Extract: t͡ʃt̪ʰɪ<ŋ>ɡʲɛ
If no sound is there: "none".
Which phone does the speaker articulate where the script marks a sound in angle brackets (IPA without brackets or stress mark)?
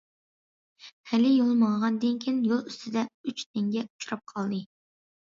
ŋ